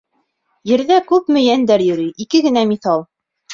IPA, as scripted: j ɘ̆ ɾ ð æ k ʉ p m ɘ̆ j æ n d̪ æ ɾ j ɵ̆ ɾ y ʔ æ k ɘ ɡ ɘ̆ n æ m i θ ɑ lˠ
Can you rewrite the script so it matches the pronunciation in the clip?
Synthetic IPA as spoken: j ɘ̆ ɾ ð æ k ʉ p m ɘ̆ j æ n d̪ æ ɾ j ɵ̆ ɾ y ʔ i k ɘ ɡ ɘ̆ n æ m i θ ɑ lˠ